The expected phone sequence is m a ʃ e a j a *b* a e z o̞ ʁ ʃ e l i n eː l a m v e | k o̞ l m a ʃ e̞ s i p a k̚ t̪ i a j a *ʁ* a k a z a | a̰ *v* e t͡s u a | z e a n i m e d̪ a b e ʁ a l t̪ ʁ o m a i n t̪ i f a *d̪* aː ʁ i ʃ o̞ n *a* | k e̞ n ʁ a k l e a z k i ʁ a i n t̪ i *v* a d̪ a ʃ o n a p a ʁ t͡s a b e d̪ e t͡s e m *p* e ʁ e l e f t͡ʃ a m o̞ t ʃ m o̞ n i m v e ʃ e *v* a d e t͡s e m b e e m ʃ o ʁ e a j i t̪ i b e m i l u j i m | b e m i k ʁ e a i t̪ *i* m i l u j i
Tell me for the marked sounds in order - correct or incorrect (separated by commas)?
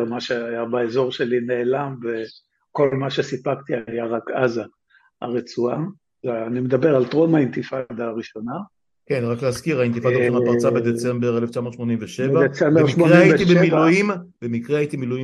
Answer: correct, correct, incorrect, correct, correct, incorrect, incorrect, correct, correct